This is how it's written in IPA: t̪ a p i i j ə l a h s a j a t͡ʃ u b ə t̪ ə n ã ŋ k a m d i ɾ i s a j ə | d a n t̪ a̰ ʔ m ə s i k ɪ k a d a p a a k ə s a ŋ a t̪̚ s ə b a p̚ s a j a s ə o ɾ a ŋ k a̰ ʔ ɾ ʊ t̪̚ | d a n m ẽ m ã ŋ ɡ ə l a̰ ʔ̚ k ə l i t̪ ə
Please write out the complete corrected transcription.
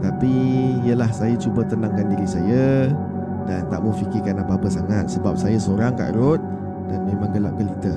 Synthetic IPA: t̪ a p i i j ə l a h s a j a t͡ʃ u b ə t̪ ə n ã ŋ k a n d i ɾ i s a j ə | d a n t̪ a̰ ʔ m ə f i k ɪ k a n a p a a p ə s a ŋ a t̪̚ s ə b a p̚ s a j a s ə o ɾ a ŋ k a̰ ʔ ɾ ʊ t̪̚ | d a n m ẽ m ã ŋ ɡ ə l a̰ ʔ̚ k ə l i t̪ ə